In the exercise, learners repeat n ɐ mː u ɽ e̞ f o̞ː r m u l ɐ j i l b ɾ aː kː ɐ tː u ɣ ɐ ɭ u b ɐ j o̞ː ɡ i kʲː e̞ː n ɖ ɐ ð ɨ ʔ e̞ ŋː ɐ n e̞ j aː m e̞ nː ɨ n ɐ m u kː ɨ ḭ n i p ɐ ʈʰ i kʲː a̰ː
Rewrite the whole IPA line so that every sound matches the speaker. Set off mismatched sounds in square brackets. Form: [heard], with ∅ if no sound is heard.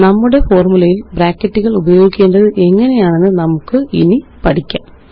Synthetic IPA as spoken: n ɐ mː u ɽ e̞ f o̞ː r m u l ɐ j i l b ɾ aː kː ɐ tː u ɣ ɐ ɭ u b ɐ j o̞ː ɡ i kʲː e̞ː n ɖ ɐ ð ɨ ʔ e̞ ŋː ɐ n e̞ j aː [ɳ] e̞ nː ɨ n ɐ m u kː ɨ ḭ n i p ɐ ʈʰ i kʲː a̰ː